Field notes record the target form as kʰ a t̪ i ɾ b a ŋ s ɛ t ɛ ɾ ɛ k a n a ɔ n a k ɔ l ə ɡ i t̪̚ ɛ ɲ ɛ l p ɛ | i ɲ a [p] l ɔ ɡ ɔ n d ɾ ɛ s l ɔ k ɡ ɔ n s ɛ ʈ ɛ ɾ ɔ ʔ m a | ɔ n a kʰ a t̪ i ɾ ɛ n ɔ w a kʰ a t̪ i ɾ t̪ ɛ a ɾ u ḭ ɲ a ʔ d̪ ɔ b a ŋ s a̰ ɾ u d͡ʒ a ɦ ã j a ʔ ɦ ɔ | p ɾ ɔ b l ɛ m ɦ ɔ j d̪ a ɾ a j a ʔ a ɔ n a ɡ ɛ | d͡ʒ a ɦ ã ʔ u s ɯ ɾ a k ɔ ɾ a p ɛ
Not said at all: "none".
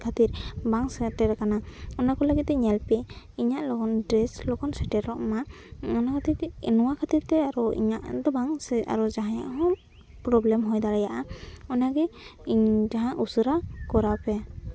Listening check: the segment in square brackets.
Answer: ʔ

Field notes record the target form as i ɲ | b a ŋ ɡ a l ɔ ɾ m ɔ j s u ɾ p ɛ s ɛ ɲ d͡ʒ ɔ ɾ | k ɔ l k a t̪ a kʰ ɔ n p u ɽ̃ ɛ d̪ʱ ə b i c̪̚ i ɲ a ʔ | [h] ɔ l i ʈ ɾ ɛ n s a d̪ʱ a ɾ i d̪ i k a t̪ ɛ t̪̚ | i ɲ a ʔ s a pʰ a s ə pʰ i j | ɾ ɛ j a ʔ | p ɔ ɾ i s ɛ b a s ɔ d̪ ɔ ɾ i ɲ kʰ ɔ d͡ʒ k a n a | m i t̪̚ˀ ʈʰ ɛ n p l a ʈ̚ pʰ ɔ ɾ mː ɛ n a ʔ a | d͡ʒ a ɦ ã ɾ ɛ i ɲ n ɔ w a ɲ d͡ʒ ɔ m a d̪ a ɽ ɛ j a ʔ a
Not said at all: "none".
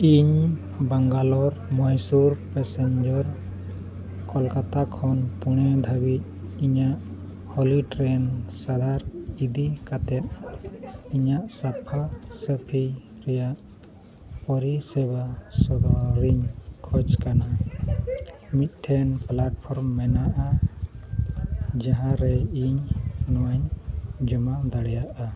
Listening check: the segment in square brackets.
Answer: h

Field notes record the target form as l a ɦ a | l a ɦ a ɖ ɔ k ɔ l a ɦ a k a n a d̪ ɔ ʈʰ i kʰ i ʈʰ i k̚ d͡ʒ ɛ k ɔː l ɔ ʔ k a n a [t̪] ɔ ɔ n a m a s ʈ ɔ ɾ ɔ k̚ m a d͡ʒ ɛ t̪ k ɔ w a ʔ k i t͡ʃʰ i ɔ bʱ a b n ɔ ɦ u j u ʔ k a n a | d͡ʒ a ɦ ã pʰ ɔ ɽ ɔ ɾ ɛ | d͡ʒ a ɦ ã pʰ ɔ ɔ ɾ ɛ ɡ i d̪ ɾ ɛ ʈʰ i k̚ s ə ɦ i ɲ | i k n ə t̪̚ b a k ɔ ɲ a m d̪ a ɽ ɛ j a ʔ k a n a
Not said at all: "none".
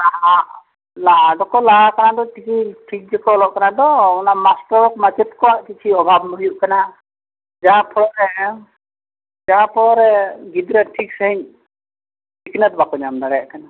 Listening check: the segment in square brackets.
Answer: d̪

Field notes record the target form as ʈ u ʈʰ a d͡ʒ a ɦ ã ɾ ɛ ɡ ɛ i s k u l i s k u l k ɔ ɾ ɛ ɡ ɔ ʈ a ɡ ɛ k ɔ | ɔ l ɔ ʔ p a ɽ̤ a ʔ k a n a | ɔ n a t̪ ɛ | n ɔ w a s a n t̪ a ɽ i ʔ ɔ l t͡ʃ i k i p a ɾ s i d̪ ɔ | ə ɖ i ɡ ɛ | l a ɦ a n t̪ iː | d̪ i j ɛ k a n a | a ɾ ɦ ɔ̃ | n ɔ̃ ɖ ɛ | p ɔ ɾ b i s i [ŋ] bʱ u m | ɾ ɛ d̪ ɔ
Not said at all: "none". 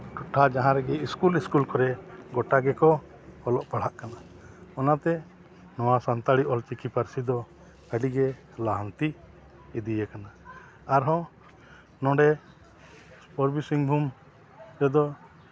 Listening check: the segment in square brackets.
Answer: ŋ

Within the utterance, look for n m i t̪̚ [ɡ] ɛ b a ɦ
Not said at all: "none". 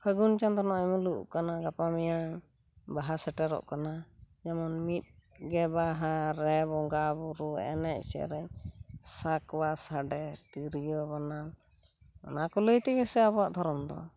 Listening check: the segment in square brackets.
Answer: ɡ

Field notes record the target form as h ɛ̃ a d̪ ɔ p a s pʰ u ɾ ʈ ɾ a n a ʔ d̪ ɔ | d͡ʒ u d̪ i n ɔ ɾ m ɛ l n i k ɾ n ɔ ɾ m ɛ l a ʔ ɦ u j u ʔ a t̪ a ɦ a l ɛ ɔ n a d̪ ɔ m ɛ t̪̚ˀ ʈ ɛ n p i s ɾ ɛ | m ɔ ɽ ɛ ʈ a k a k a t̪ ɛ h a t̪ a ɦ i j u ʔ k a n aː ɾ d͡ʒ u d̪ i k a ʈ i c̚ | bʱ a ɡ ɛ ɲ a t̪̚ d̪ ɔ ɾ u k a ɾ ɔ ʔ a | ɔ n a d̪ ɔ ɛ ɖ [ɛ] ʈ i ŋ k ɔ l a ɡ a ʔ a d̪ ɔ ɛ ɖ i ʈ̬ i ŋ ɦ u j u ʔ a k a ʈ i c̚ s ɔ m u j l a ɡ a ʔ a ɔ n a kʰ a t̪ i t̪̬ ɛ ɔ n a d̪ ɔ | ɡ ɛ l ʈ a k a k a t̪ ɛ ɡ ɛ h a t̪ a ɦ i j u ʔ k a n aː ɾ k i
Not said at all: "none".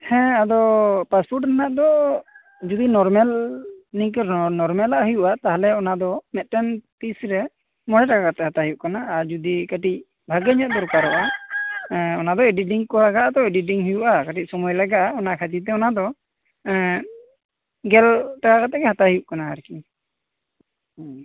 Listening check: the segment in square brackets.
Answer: i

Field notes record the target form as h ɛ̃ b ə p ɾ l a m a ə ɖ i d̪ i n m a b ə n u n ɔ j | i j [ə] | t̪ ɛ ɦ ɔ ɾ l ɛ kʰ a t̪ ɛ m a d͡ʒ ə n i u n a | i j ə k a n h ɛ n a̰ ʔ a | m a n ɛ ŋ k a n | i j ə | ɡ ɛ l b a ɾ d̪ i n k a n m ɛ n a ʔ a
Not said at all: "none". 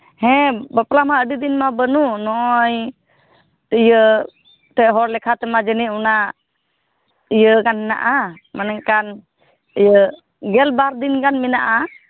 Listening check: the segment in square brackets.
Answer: ə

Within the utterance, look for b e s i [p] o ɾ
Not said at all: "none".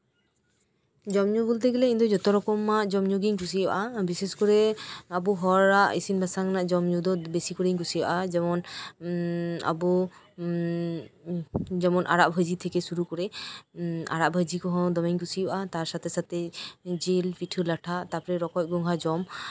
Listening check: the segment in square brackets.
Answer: k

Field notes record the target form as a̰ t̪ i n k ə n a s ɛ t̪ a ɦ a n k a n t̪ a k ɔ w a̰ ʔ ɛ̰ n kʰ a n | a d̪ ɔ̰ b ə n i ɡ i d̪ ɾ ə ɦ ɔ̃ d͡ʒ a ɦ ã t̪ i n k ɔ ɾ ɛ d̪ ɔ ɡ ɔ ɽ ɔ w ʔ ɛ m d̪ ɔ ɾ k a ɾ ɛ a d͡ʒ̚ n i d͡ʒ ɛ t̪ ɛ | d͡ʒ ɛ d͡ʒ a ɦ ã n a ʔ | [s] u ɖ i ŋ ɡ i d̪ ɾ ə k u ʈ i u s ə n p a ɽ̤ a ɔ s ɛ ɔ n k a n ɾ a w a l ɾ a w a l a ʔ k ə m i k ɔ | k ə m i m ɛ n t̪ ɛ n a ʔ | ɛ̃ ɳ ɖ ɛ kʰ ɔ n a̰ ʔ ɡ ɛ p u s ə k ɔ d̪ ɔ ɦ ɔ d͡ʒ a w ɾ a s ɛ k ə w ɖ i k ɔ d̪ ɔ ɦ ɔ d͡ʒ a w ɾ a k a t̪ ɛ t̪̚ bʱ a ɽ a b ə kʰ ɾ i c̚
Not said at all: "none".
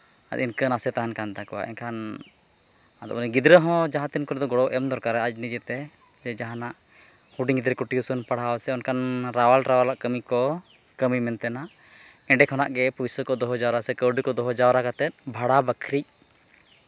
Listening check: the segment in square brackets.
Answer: h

